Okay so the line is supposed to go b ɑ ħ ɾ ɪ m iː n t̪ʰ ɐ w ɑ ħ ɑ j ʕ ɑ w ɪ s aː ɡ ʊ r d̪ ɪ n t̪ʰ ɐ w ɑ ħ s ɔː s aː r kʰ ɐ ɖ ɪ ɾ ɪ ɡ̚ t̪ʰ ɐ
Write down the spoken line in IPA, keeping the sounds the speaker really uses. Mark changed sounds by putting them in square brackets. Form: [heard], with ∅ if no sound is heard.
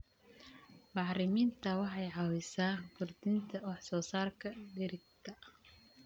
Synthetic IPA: b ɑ ħ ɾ ɪ m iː n t̪ʰ ɐ w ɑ ħ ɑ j ʕ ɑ w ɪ s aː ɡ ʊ r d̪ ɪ n t̪ʰ ɐ w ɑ ħ s ɔː s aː r kʰ ɐ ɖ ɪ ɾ ɪ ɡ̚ t̪ʰ ɐ